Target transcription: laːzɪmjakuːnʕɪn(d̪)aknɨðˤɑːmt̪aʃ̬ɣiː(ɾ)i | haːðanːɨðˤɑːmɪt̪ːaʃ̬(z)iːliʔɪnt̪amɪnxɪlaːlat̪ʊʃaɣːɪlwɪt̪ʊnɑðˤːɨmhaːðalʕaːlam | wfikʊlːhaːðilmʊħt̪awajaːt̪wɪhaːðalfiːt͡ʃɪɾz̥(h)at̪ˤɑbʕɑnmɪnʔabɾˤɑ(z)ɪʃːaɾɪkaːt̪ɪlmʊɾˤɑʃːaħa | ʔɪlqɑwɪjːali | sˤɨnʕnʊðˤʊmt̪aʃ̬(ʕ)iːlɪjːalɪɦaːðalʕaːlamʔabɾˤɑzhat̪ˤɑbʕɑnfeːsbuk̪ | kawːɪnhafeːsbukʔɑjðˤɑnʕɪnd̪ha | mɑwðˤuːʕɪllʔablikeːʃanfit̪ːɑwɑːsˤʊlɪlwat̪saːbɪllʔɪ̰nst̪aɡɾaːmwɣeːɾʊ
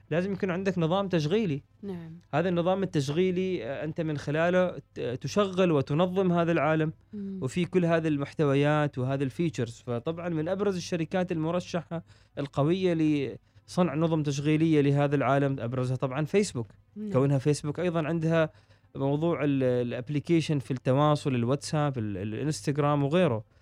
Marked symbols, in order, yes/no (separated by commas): yes, no, no, no, yes, no